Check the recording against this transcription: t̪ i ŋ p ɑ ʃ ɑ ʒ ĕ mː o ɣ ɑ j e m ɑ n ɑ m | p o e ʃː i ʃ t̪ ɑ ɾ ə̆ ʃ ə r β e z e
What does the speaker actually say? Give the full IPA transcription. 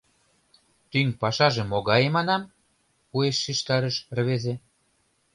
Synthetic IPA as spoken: t̪ y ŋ p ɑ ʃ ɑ ʒ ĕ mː o ɣ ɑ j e m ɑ n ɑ m | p u e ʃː i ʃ t̪ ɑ ɾ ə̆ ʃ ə r β e z e